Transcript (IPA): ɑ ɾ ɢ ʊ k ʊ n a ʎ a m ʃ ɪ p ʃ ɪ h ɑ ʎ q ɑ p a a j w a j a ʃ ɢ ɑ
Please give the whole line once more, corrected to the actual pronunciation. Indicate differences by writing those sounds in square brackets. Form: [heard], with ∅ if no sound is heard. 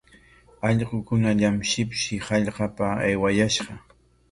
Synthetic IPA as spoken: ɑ [ʎ] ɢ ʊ k ʊ n a ʎ a m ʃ ɪ p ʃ ɪ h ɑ ʎ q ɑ p a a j w a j a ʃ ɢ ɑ